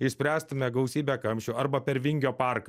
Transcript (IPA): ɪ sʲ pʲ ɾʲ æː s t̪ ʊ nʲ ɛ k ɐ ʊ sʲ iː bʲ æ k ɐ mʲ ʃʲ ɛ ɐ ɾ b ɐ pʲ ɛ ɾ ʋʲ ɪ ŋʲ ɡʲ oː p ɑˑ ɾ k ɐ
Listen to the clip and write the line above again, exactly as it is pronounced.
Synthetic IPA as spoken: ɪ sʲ pʲ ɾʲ æː s t̪ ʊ mʲ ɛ ɡ ɐ ʊ sʲ iː bʲ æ k ɐ mʲ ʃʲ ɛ ɐ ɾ b ɐ pʲ ɛ ɾ ʋʲ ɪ ŋʲ ɡʲ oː p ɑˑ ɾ k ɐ